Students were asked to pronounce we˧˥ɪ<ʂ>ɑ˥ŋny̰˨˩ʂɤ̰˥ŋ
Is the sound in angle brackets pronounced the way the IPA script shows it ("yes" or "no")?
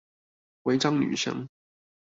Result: no